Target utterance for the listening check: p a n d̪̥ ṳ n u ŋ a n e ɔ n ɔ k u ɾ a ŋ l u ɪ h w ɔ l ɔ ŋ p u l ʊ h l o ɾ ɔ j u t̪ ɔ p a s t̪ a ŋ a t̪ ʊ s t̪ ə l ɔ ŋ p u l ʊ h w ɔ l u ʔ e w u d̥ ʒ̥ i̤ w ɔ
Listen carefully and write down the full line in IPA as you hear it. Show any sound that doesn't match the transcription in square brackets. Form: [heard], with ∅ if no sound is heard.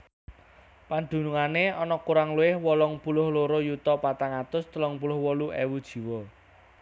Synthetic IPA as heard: p a n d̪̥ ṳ n u ŋ a n e ɔ n ɔ k u ɾ a ŋ l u ɪ h w ɔ l ɔ ŋ p u l ʊ h l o ɾ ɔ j u t̪ ɔ p a [∅] t̪ a ŋ a t̪ ʊ s t̪ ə l ɔ ŋ p u l ʊ h w ɔ l u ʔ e w u d̥ ʒ̥ i̤ w ɔ